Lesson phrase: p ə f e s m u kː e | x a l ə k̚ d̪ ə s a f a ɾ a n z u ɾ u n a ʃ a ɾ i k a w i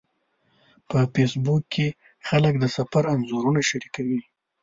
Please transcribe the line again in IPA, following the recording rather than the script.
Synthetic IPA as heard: p ə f e s b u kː e | x a l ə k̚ d̪ ə s a f a ɾ a n z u ɾ u n a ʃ a ɾ i k a w i